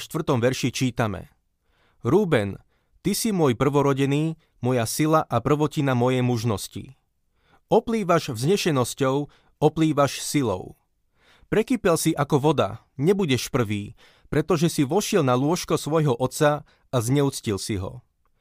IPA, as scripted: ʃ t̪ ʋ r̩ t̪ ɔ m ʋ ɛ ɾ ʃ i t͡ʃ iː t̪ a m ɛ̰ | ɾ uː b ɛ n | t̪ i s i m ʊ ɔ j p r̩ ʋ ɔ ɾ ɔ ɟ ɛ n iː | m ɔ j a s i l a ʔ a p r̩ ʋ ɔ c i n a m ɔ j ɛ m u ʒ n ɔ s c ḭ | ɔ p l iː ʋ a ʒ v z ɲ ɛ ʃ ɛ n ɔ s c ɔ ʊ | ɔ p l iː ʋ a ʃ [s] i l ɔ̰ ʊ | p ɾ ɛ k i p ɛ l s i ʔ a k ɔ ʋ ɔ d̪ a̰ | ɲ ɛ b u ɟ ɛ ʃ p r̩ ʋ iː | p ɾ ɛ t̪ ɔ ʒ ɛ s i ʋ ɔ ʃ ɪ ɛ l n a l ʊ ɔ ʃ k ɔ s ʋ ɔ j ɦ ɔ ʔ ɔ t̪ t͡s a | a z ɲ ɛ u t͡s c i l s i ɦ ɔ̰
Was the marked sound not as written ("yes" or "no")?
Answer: no